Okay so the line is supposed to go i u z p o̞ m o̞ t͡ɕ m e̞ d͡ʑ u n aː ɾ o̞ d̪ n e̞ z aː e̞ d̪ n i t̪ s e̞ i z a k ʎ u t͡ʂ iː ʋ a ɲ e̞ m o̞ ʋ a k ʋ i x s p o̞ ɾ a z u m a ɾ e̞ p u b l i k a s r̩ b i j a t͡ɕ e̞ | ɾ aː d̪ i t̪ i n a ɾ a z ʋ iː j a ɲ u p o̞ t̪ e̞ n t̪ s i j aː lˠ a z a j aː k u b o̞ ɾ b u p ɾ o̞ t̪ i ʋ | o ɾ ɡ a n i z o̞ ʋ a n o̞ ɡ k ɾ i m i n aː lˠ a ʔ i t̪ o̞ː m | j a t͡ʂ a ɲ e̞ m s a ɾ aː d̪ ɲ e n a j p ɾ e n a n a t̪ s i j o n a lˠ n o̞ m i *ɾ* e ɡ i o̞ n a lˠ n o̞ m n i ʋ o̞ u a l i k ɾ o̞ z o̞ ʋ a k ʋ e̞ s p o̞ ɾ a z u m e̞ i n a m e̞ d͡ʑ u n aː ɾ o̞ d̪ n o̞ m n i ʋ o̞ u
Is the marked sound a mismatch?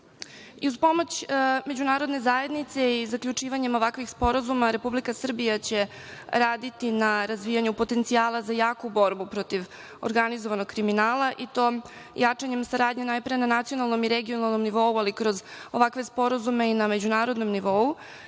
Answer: no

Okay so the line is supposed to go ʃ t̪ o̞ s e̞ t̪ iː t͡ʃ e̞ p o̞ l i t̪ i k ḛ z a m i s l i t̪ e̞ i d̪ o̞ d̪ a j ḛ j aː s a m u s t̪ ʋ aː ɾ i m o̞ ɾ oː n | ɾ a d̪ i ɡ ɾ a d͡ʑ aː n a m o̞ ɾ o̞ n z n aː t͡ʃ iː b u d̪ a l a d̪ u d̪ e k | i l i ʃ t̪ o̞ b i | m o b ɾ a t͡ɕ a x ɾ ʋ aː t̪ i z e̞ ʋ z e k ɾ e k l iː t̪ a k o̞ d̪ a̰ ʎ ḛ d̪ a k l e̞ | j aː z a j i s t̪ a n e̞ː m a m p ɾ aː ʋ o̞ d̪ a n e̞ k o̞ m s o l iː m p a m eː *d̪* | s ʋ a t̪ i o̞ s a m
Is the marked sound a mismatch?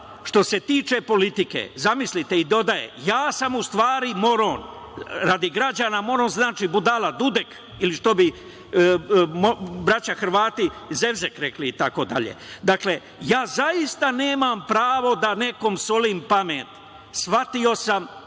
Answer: yes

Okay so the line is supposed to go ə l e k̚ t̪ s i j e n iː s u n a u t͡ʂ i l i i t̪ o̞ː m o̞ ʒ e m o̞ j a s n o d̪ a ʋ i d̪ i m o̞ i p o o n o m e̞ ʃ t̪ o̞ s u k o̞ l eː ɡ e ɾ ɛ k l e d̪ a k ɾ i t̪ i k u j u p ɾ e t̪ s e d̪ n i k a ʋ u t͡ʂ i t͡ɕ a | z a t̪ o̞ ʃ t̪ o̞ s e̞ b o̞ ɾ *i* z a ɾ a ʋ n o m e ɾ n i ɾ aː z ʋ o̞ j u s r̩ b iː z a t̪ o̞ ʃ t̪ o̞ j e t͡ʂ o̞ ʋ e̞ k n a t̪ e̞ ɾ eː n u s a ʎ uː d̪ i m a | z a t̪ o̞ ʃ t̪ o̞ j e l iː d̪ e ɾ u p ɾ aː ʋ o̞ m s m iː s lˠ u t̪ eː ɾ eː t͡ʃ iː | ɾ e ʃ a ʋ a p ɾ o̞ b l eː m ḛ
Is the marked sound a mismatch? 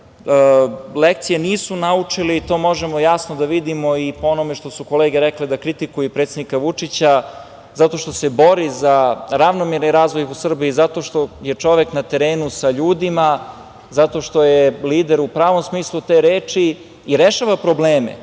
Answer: no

